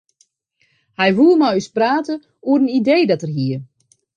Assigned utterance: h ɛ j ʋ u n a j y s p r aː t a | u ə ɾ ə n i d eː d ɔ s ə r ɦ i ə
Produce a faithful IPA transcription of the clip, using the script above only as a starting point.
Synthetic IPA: h ɛ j ʋ u m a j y s p r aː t ə | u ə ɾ ə n i d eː d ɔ t ə r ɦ i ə